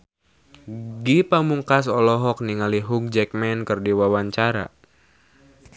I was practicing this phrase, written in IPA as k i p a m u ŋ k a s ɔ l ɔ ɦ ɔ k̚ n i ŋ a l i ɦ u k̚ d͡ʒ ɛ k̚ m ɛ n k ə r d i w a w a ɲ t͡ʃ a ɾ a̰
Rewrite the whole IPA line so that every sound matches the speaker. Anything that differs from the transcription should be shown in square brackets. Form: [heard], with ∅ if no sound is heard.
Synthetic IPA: [ɡ] i p a m u ŋ k a s ɔ l ɔ ɦ ɔ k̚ n i ŋ a l i ɦ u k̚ d͡ʒ ɛ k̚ m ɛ n k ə r d i w a w a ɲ t͡ʃ a ɾ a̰